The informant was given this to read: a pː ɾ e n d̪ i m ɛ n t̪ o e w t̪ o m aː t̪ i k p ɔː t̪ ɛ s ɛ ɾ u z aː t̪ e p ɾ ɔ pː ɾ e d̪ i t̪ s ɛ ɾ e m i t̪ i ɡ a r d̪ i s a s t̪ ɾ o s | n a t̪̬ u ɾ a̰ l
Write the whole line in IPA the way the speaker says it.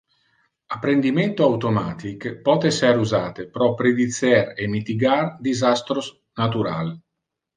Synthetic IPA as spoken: a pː ɾ e n d̪ i m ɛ n t̪ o a w t̪ o m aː t̪ i k p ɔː t̪ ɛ s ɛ ɾ u z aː t̪ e p ɾ ɔ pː ɾ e d̪ i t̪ s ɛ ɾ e m i t̪ i ɡ a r d̪ i z a s t̪ ɾ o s | n a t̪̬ u ɾ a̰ l